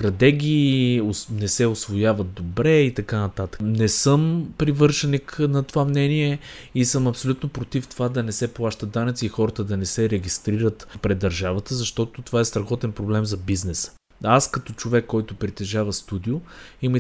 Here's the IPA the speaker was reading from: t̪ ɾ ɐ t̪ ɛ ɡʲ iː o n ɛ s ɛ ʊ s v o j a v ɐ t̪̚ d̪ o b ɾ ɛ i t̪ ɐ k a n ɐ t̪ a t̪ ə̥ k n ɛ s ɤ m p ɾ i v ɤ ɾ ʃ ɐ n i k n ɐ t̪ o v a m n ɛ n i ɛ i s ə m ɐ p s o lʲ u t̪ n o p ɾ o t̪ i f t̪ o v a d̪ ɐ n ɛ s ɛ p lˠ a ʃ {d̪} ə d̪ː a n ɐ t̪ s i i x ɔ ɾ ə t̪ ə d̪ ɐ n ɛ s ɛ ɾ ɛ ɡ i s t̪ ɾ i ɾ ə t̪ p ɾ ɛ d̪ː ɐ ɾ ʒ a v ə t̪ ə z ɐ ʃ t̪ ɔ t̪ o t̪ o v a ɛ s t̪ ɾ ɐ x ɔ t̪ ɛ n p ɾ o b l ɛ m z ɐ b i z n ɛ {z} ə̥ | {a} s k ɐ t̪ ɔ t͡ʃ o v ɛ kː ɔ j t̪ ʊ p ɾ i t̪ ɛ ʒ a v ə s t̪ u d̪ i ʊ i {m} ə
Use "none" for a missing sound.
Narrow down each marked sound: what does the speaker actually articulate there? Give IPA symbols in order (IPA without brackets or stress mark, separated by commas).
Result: t̪, s, a, m